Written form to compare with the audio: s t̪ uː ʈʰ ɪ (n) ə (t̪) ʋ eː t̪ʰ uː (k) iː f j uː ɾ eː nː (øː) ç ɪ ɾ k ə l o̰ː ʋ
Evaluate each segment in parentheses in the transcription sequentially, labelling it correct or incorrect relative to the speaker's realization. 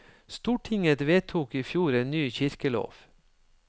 incorrect: ŋ, correct, correct, incorrect: yː

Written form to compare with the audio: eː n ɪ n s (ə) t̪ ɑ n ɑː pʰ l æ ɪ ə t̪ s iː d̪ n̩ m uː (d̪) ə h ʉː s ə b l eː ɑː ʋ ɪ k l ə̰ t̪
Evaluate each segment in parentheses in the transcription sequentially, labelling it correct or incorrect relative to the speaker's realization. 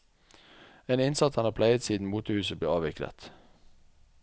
incorrect: ɑ, incorrect: t̪

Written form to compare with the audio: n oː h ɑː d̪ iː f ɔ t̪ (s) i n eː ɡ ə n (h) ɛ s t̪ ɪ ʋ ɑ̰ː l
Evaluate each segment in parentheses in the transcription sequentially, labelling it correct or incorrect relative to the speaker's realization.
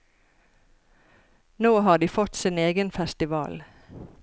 correct, incorrect: f

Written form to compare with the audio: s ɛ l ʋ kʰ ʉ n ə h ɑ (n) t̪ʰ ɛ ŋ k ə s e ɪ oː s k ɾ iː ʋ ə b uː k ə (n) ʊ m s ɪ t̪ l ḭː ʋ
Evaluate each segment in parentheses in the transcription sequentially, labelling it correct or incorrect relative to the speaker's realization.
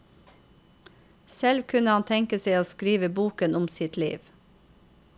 correct, correct

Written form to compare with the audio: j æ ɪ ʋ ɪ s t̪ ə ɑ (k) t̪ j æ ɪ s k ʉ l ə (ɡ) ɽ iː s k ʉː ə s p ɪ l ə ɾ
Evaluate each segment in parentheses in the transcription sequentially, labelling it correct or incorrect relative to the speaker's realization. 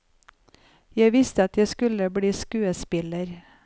incorrect: none, incorrect: b

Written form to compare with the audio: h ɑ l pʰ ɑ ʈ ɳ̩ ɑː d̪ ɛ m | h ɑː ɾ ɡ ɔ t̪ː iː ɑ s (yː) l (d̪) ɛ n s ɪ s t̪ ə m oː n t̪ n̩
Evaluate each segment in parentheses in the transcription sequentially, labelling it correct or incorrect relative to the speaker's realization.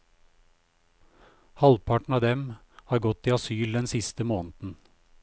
correct, correct

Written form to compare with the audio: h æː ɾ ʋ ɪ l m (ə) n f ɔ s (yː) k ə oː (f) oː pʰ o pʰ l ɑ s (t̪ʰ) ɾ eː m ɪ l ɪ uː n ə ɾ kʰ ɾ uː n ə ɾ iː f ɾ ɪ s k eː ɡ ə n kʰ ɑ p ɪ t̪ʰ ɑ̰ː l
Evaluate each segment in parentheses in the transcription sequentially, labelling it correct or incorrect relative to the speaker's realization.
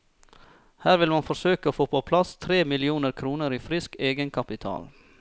incorrect: ɑ, incorrect: øː, correct, correct

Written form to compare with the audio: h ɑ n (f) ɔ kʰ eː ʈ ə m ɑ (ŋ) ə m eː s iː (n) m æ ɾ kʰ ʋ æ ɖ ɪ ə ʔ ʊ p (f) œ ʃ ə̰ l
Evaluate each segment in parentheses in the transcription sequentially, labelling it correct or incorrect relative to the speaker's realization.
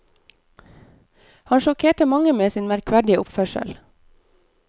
incorrect: ʃ, correct, correct, correct

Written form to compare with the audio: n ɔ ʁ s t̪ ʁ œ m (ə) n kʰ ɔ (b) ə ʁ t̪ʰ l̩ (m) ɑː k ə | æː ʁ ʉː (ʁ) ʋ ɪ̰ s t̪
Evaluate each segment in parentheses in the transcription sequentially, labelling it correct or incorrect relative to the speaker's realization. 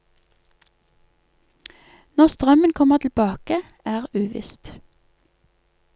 correct, incorrect: m, incorrect: b, incorrect: none

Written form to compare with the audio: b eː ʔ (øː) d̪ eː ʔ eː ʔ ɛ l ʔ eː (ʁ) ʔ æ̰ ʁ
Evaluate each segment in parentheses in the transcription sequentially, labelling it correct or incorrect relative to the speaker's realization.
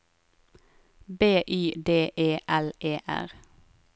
incorrect: yː, incorrect: none

